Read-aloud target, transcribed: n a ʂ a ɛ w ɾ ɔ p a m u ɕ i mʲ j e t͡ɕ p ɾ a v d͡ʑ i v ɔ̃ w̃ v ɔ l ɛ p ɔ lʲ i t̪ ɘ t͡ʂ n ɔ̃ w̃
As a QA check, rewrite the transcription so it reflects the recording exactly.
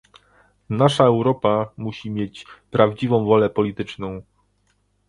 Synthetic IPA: n a ʂ a ɛ w ɾ ɔ p a m u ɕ i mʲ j e t͡ɕ p ɾ a v d͡ʑ i v ɔ̃ w̃ v ɔ l ɛ p ɔ lʲ i t̪ ɘ t͡ʂ n ɔ̃ w̃